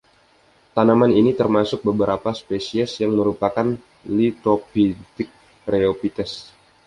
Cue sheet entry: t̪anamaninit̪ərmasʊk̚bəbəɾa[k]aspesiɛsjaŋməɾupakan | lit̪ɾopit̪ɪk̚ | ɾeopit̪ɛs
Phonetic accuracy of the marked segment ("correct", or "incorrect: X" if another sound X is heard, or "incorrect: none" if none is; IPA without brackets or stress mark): incorrect: p